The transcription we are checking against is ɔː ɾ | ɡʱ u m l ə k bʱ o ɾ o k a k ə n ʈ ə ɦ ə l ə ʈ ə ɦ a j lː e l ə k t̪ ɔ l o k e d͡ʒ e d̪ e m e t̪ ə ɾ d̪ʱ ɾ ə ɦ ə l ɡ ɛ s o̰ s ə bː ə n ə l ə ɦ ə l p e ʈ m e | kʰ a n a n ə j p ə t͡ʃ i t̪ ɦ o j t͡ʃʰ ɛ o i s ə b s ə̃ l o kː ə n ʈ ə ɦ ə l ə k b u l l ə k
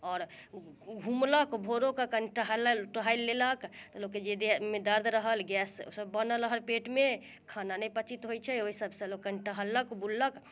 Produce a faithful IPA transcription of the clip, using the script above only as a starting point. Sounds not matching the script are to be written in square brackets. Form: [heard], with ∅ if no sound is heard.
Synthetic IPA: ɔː ɾ | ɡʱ u m l ə k bʱ o ɾ o k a k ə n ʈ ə ɦ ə l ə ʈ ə ɦ a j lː e l ə k t̪ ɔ l o k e d͡ʒ e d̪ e m e [d̪] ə ɾ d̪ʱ ɾ ə ɦ ə l ɡ ɛ s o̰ s ə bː ə n ə l ə ɦ ə l p e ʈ m e | kʰ a n a n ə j p ə t͡ʃ i t̪ ɦ o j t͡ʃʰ ɛ o i s ə b s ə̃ l o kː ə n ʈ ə ɦ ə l ə k b u l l ə k